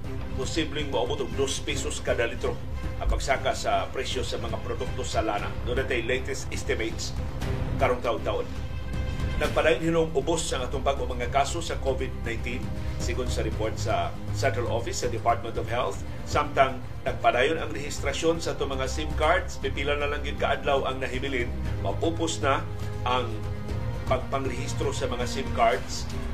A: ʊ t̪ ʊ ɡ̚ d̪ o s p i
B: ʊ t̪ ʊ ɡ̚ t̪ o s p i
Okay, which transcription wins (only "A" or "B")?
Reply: A